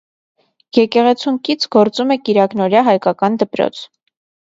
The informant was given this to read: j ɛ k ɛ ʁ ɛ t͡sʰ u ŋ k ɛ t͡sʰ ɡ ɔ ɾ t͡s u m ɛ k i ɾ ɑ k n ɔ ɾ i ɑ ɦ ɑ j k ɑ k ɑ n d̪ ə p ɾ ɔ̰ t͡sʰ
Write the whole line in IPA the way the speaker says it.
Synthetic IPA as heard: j ɛ k ɛ ʁ ɛ t͡sʰ u ŋ k i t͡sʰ ɡ ɔ ɾ t͡s u m ɛ k i ɾ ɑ k n ɔ ɾ j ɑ ɦ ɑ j k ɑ k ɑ n d̪ ə p ɾ ɔ̰ t͡sʰ